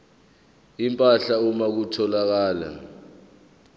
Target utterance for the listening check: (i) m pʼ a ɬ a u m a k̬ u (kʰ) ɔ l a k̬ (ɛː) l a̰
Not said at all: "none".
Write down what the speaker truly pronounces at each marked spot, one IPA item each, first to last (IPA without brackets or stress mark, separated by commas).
i, tʰ, aː